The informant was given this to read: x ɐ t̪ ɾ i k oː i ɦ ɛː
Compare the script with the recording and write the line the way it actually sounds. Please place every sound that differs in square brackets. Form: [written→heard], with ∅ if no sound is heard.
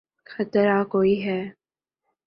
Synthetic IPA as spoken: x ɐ t̪ ɾ [i→a] k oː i ɦ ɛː